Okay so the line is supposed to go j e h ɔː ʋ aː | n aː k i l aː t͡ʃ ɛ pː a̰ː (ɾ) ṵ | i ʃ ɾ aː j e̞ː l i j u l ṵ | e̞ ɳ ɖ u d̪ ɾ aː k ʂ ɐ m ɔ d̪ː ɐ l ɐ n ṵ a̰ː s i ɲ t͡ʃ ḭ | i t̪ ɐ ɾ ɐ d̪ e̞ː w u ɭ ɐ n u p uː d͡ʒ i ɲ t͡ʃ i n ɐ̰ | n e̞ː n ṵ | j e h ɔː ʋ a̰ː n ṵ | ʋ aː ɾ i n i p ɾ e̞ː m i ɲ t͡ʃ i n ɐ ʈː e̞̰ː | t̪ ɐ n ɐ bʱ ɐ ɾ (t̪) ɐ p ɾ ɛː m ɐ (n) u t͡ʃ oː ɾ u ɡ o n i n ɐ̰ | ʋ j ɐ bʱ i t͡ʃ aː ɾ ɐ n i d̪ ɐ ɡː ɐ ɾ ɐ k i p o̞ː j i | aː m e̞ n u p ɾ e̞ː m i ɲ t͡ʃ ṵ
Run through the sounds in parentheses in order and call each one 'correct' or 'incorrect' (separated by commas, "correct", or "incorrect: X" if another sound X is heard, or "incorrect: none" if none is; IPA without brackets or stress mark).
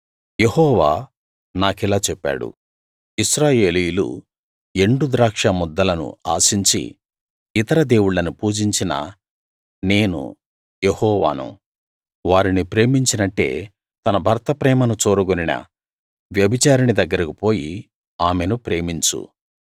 incorrect: ɽ, correct, correct